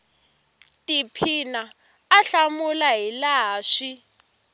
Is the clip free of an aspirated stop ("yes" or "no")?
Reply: no